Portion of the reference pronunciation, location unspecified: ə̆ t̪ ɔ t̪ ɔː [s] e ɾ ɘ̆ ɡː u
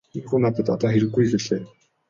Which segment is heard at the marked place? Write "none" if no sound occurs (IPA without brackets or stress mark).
x